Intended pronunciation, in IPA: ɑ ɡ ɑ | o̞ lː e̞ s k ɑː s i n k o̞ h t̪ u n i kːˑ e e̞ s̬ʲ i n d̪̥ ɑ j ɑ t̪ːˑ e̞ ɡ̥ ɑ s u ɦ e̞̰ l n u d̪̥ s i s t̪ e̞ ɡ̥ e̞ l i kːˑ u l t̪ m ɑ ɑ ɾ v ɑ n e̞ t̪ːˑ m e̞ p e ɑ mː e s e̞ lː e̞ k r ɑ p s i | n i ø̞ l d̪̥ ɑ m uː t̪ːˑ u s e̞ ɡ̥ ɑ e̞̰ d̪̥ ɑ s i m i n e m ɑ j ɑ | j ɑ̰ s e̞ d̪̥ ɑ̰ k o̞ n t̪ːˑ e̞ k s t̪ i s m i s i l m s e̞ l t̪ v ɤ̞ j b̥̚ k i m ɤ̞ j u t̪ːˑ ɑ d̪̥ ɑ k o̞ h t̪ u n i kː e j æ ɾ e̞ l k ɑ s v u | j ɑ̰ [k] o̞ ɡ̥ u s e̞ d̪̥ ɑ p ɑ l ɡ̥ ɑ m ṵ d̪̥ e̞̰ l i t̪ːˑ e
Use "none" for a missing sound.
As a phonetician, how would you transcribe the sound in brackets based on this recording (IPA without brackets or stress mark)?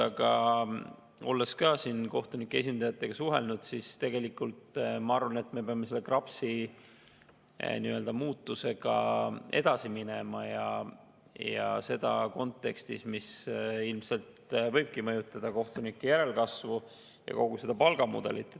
k